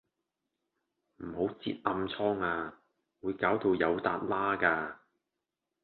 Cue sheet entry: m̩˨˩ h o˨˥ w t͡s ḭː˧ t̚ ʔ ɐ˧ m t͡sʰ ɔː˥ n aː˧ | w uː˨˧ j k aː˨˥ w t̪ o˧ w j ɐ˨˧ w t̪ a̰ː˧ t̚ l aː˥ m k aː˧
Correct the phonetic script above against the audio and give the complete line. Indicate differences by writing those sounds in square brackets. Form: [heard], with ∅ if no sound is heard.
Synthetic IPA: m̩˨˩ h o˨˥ w t͡s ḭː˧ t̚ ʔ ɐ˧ m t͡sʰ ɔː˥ [ŋ] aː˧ | w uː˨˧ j k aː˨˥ w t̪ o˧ w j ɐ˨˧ w t̪ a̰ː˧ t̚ l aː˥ [∅] k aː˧